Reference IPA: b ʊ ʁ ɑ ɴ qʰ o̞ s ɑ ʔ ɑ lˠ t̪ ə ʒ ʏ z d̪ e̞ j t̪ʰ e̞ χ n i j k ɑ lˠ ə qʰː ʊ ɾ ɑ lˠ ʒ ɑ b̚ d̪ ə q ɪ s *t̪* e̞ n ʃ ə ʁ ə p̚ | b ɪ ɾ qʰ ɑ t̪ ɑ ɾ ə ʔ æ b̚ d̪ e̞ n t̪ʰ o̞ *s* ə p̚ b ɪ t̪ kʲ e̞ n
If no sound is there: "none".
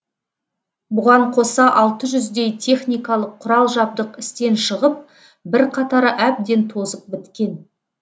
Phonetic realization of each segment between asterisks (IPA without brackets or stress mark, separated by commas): t̪, z